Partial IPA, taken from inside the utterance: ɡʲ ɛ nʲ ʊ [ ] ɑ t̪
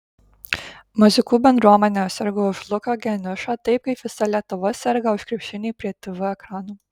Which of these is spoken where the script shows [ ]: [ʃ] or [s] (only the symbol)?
ʃ